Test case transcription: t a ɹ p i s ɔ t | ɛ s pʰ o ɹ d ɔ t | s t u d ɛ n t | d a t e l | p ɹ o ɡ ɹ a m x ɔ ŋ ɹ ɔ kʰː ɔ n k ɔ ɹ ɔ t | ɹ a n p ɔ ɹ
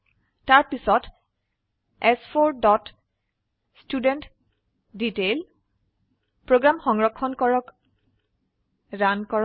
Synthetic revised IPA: t a ɹ p i s ɔ t | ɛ s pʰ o ɹ d ɔ t | s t u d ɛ n t | d i t e l | p ɹ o ɡ ɹ a m x ɔ ŋ ɹ ɔ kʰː ɔ n k ɔ ɹ ɔ k | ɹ a n k ɔ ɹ